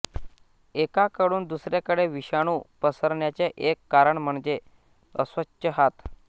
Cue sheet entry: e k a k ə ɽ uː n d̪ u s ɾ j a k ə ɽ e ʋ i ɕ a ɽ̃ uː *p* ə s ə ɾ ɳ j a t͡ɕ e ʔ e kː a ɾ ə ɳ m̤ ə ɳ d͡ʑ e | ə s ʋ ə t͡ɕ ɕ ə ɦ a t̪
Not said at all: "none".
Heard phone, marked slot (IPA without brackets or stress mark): p